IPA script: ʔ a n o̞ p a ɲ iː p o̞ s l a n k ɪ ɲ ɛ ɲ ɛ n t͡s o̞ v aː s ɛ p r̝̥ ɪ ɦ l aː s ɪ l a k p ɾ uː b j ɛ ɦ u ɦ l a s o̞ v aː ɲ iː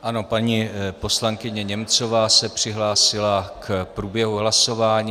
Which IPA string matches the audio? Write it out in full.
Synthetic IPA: ʔ a n o̞ p a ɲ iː p o̞ s l a ŋ k ɪ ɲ ɛ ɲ ɛ m t͡s o̞ v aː s ɛ p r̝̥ ɪ ɦ l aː s ɪ l a k p ɾ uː b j ɛ ɦ u ɦ l a s o̞ v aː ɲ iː